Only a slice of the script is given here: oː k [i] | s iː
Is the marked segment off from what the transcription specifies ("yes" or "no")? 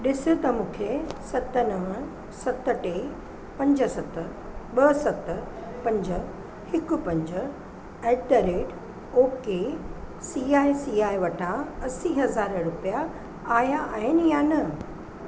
yes